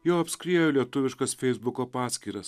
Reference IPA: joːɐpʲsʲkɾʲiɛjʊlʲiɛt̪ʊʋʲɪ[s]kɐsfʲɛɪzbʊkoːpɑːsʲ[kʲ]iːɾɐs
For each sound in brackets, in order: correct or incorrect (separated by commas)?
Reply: incorrect, correct